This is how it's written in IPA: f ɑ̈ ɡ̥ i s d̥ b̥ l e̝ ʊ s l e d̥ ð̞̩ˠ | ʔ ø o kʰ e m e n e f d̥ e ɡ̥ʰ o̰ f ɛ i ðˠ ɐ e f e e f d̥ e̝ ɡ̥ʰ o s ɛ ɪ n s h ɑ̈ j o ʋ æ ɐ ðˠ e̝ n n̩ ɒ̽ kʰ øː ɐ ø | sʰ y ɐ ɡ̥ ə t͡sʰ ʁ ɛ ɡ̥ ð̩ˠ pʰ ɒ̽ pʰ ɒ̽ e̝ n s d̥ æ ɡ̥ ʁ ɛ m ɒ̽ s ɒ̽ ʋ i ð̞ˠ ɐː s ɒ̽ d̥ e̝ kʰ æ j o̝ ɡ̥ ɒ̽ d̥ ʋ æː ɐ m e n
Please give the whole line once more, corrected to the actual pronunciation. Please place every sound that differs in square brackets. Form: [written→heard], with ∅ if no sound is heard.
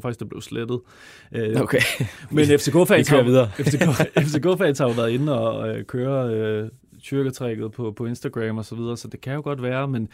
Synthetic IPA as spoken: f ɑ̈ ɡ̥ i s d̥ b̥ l e̝ ʊ s l e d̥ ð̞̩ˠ | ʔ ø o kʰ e m e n e f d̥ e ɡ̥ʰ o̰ f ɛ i ðˠ ɐ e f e e f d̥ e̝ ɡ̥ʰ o [s→f] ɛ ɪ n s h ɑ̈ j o ʋ æ ɐ ðˠ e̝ n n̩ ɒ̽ kʰ øː ɐ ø | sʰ y ɐ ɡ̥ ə t͡sʰ ʁ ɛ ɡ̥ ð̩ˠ pʰ ɒ̽ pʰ ɒ̽ e̝ n s d̥ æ ɡ̥ ʁ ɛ m ɒ̽ s ɒ̽ ʋ i ð̞ˠ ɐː s ɒ̽ d̥ e̝ kʰ æ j o̝ ɡ̥ ɒ̽ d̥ ʋ æː ɐ m e n